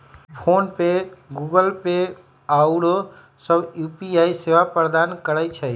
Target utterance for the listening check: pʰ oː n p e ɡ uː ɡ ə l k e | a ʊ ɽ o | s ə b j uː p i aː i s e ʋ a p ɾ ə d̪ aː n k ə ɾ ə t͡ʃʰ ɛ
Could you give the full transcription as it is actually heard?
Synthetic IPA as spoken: pʰ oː n p e ɡ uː ɡ ə l p e | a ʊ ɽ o | s ə b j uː p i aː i s e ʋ a p ɾ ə d̪ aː n k ə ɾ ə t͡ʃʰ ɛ